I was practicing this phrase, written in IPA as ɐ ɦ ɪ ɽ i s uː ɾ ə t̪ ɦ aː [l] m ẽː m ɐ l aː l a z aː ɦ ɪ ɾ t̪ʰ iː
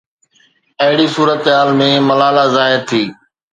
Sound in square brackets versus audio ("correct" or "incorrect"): correct